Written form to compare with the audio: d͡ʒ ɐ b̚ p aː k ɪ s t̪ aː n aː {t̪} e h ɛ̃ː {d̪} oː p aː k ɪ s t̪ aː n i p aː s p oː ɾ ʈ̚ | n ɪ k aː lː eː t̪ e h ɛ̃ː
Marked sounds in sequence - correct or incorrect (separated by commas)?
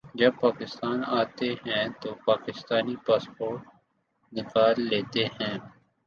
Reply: correct, incorrect